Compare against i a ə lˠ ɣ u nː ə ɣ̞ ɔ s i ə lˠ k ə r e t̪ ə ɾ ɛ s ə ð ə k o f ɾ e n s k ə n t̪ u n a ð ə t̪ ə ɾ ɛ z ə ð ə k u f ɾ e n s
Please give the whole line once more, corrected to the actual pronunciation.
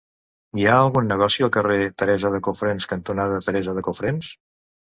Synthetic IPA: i a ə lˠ ɣ u nː ə ɣ̞ ɔ s i ə lˠ k ə r e t̪ ə ɾ ɛ z ə ð ə k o f ɾ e n s k ə n t̪ u n a ð ə t̪ ə ɾ ɛ z ə ð ə k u f ɾ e n s